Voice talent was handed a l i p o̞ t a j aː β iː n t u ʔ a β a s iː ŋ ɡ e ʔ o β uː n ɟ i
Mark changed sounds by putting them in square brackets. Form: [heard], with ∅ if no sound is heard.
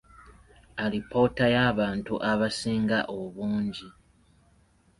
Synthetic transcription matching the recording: a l i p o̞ t a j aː β [aː] n t u ʔ a β a s iː ŋ ɡ [a] ʔ o β uː [ɲ] ɟ i